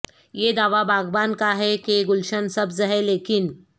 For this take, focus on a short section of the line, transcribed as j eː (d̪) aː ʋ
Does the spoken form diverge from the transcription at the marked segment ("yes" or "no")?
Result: no